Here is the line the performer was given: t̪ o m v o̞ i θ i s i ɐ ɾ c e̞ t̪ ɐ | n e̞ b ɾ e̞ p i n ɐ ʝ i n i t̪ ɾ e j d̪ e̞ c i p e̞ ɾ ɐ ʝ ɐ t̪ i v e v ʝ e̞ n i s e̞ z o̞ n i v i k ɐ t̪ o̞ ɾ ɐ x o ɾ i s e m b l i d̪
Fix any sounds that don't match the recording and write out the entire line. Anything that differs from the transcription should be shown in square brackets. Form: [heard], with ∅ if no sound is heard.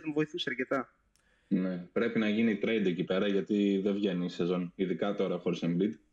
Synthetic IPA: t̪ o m v o̞ i θ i s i ɐ ɾ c e̞ t̪ ɐ | n e̞ [p] ɾ e̞ p i n ɐ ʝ i n i t̪ ɾ e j d̪ e̞ c i p e̞ ɾ ɐ ʝ ɐ t̪ i [ð] e v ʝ e̞ n i s e̞ z o̞ n i [ð] i k ɐ t̪ o̞ ɾ ɐ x o ɾ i s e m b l i d̪